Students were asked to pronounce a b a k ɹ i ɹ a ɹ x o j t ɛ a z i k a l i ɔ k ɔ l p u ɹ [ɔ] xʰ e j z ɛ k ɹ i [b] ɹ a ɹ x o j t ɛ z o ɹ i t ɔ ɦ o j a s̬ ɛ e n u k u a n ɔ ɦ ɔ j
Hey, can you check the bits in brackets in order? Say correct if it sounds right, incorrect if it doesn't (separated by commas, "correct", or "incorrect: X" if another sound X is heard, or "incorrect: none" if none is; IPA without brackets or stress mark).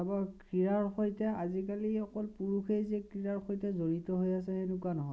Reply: incorrect: u, incorrect: none